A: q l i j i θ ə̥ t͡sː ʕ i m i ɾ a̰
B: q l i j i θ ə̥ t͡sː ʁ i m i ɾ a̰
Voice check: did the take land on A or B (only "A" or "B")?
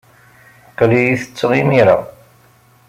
B